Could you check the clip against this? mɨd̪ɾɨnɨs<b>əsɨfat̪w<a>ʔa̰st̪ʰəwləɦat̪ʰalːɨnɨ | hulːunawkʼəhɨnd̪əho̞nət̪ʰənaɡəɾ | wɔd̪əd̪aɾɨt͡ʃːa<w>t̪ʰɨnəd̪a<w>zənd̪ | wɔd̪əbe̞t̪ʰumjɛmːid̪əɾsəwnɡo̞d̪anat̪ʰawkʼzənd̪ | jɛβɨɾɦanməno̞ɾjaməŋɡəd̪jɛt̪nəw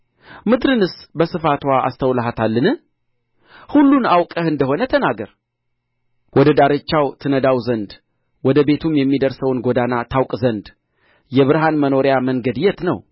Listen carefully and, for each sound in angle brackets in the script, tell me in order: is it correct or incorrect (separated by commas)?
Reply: correct, correct, correct, correct